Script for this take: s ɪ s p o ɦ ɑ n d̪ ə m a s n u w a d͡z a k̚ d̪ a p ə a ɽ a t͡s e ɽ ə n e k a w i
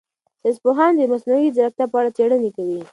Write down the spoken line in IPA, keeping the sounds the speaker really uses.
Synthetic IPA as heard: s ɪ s p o ɦ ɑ n d̪ ə m a s n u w i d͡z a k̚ t̪ a p ə a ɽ a t͡s e ɽ ə n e k a w i